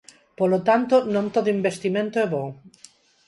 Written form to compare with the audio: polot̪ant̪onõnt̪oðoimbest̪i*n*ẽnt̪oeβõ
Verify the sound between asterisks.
incorrect: m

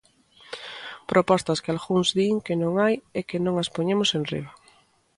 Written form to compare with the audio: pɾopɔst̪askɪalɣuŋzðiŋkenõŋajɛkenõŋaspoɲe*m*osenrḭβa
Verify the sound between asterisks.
correct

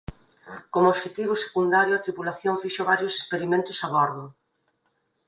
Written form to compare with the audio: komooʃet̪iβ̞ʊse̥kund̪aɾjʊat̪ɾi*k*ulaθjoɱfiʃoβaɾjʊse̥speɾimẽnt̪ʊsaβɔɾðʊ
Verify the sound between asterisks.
incorrect: p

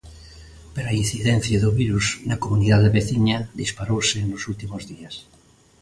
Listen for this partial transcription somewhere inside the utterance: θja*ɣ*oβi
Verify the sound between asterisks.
incorrect: ð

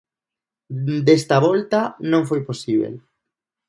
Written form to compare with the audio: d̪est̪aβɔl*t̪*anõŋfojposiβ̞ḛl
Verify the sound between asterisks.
correct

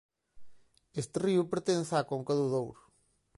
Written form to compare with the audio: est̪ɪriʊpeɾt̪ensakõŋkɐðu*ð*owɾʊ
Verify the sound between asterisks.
correct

